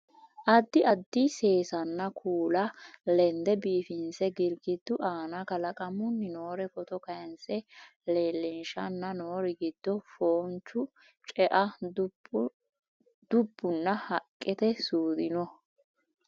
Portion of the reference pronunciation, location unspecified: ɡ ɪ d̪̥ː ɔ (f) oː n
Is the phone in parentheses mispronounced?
no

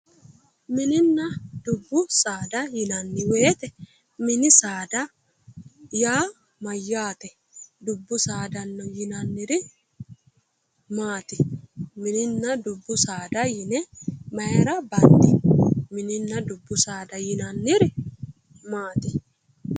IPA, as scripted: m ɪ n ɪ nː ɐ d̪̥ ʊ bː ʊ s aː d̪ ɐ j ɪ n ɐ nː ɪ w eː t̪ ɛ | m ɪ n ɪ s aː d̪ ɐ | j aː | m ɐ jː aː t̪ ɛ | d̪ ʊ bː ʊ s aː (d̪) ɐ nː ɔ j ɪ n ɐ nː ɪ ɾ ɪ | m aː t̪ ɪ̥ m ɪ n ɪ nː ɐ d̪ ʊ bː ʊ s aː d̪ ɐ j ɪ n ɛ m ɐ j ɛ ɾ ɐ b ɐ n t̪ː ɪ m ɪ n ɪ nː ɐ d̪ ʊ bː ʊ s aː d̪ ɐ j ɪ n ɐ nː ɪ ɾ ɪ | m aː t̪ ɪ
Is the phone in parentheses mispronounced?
no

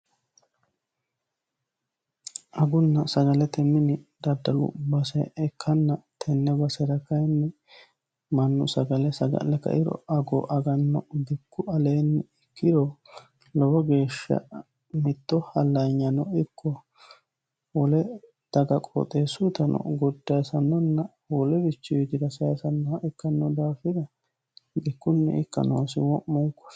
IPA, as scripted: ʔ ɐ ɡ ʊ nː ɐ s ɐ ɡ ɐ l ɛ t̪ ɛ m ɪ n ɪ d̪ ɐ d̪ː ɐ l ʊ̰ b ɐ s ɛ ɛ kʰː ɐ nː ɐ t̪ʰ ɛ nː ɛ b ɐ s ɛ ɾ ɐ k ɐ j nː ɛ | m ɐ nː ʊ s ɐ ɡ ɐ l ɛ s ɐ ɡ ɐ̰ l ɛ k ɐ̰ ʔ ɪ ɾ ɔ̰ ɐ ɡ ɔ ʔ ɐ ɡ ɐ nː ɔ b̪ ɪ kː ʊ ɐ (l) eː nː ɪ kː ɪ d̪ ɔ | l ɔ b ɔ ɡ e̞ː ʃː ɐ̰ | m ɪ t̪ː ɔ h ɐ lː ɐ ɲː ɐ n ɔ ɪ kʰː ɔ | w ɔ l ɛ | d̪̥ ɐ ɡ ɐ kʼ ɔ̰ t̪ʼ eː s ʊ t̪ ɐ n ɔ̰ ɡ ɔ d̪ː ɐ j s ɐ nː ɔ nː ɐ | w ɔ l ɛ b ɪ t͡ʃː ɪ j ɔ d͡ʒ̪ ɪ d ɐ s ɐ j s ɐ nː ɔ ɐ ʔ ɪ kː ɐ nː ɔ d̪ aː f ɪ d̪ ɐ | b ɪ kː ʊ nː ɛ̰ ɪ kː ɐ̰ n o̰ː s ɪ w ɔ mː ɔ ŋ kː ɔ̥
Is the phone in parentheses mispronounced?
no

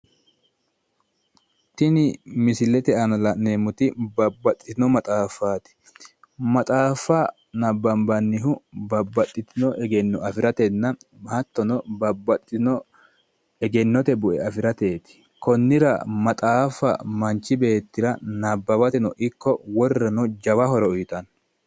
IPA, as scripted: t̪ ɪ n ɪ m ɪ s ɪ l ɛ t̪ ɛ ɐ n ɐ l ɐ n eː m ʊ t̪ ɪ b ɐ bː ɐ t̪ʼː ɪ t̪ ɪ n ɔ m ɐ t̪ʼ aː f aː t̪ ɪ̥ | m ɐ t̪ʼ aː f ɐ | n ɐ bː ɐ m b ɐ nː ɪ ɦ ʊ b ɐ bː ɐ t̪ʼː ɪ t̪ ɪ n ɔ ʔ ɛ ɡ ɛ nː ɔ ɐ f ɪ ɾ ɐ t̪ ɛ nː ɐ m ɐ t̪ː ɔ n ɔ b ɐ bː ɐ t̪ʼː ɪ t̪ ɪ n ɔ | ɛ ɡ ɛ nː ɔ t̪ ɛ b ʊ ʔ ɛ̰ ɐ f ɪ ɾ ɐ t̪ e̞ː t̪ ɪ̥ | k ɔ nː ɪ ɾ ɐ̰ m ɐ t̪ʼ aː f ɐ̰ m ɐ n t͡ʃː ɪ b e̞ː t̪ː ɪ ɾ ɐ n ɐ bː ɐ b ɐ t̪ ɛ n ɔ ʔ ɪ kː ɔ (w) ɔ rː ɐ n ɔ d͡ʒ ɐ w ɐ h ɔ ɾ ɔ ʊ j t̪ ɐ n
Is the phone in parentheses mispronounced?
no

